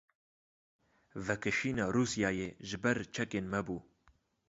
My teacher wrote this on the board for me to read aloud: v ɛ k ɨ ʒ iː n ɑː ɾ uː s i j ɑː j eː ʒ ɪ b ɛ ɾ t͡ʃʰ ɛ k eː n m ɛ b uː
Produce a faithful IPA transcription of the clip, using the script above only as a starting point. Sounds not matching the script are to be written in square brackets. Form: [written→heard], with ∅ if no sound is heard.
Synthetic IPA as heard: v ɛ k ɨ [ʒ→ʃ] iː n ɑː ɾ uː s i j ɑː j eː ʒ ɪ b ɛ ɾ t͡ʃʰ ɛ k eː n m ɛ b uː